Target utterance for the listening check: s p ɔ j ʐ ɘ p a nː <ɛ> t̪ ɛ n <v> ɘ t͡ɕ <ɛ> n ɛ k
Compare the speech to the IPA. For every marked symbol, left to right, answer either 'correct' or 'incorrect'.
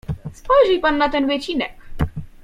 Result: incorrect, correct, incorrect

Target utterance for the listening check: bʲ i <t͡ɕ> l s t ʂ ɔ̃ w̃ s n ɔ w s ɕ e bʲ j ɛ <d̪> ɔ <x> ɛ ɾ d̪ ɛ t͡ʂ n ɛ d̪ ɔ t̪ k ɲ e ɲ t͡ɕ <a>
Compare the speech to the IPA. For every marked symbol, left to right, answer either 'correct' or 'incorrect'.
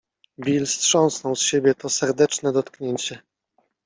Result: incorrect, incorrect, incorrect, incorrect

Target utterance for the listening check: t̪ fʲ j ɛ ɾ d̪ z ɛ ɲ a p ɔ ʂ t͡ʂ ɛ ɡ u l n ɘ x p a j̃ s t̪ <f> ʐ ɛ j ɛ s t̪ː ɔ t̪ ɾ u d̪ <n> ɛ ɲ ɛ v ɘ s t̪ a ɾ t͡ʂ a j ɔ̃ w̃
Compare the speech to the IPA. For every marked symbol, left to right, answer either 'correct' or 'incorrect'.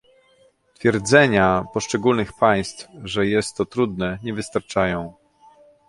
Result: correct, correct

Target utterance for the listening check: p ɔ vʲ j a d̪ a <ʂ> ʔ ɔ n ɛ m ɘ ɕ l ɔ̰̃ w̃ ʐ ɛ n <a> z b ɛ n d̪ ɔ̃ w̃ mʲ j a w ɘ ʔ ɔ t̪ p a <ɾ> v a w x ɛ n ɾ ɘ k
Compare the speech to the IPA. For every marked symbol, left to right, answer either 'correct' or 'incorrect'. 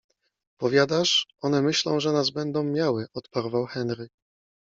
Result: correct, correct, correct

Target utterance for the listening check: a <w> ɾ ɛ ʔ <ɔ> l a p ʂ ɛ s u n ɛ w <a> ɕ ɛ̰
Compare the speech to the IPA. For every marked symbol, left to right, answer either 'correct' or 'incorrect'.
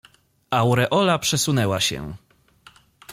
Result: correct, correct, correct

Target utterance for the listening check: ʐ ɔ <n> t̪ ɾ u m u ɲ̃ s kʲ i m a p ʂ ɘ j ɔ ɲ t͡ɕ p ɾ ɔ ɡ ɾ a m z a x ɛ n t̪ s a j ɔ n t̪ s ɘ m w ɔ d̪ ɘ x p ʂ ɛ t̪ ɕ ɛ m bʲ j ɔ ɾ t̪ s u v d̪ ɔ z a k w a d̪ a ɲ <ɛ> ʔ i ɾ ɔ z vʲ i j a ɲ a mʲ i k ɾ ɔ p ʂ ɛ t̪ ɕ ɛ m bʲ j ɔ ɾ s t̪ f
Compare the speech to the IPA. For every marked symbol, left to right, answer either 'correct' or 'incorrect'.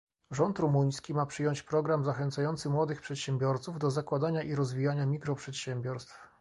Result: correct, incorrect

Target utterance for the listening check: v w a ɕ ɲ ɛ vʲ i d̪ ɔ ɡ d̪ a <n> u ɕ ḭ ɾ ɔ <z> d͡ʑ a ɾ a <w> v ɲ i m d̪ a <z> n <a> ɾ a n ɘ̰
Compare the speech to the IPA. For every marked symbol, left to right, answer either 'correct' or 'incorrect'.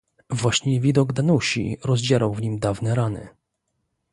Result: correct, correct, correct, incorrect, incorrect

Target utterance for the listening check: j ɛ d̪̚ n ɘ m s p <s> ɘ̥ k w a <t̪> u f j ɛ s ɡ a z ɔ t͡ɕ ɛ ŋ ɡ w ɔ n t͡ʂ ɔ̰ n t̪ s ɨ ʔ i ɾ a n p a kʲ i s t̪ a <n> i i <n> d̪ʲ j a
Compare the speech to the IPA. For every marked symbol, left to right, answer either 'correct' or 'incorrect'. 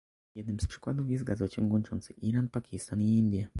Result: incorrect, incorrect, correct, correct

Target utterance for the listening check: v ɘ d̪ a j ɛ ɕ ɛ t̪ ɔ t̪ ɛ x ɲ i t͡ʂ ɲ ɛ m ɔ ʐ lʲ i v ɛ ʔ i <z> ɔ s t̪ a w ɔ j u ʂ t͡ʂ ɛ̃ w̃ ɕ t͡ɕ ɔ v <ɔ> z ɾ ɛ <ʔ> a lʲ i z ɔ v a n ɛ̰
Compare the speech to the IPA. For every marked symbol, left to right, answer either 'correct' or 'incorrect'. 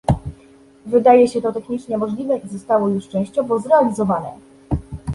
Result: correct, correct, incorrect

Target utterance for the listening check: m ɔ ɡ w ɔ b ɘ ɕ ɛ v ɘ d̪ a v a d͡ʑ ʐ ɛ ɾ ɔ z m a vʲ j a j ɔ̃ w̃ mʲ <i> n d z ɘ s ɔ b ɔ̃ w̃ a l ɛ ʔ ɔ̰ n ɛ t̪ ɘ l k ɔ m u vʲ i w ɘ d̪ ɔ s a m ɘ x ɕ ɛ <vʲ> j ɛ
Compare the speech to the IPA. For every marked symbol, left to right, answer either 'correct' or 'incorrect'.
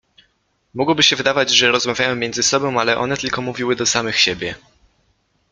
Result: incorrect, incorrect

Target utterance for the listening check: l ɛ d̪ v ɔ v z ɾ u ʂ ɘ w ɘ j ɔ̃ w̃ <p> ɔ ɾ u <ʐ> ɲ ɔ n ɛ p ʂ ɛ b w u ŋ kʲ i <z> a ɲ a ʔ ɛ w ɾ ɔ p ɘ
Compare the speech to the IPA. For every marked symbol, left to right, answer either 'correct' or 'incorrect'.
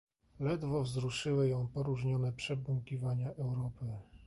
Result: correct, correct, incorrect

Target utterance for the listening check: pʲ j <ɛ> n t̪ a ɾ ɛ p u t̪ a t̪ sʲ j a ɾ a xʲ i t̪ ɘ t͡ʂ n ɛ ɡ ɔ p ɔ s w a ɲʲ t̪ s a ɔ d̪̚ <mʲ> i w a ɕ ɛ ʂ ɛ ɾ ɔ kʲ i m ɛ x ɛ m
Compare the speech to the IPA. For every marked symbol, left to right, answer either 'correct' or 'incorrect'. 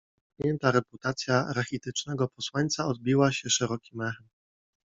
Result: correct, incorrect

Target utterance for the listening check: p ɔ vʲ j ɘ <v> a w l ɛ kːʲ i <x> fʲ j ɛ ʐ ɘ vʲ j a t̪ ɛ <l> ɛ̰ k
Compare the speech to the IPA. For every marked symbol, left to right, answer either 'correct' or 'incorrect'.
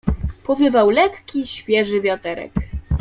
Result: correct, incorrect, incorrect

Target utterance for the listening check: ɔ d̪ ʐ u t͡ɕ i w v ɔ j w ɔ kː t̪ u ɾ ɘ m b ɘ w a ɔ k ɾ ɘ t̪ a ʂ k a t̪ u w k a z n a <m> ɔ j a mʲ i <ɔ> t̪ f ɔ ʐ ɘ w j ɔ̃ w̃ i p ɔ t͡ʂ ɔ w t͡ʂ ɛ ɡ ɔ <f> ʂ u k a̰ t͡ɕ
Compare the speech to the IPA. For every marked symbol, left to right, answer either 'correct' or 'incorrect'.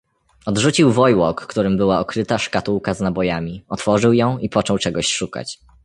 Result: incorrect, correct, incorrect

